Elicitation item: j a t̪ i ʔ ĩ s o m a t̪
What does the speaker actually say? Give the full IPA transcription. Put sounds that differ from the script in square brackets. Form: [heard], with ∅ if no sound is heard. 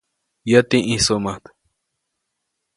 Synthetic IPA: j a t̪ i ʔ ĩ s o m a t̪